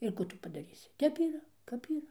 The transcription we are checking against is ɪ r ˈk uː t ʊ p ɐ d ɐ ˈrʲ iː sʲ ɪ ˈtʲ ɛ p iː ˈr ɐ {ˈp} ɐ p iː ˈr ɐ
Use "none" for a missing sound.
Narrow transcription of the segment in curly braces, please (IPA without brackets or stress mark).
k